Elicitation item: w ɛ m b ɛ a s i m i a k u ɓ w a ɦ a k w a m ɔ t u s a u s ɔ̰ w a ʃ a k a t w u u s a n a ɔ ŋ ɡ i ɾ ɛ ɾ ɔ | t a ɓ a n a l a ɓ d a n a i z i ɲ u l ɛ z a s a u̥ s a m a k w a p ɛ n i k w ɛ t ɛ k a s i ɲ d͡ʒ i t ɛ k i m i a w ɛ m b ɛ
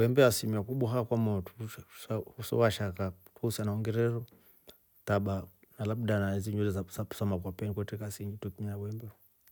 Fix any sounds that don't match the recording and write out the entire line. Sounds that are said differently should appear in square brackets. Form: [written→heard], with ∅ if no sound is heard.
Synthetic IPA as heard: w ɛ m b ɛ a s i m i a k u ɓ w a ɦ a k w a m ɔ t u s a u s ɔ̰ w a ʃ a k a t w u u s a n a ɔ ŋ ɡ [i→ɛ] ɾ ɛ ɾ ɔ | t a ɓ a n a l a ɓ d a n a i z i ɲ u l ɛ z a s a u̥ s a m a k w a p ɛ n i k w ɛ t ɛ k a s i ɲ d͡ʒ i t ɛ k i m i a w ɛ m b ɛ